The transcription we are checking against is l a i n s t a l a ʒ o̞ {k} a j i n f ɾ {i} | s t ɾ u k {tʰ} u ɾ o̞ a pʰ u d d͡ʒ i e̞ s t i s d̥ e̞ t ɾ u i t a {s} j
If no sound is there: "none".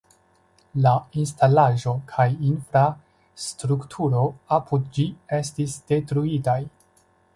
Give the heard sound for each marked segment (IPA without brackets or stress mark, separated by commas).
kʰ, a, tʰ, none